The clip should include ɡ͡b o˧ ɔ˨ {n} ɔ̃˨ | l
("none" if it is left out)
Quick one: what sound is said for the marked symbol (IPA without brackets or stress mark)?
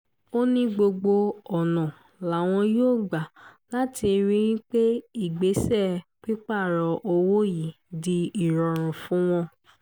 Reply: n